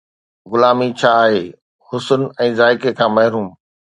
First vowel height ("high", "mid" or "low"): high